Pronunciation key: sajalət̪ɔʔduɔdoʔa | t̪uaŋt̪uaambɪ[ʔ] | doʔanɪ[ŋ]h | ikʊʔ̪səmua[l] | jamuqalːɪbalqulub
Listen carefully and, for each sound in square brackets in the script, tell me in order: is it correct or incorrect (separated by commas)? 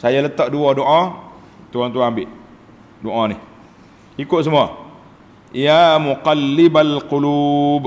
correct, incorrect, incorrect